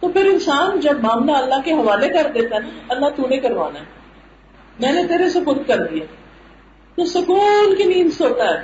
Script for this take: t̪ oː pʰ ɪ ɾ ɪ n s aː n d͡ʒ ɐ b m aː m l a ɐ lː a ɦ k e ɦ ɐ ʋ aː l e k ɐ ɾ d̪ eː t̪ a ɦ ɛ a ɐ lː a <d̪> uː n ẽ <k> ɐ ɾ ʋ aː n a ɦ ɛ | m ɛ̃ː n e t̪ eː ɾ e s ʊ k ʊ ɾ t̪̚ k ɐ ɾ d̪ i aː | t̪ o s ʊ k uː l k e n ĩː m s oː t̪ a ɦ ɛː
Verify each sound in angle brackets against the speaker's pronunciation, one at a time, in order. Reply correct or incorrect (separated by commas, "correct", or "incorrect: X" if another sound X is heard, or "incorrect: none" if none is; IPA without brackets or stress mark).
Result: incorrect: t̪, correct